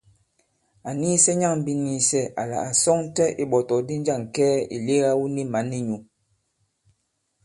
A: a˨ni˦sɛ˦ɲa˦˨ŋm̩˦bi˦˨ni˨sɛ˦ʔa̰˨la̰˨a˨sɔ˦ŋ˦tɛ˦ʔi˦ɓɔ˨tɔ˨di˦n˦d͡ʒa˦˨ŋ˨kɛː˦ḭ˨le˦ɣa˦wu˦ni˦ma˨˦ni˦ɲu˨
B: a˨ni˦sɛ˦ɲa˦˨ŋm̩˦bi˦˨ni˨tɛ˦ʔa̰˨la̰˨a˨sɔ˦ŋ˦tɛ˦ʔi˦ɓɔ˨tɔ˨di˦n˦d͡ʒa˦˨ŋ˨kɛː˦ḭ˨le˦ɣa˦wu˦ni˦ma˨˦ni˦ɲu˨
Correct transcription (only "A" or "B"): A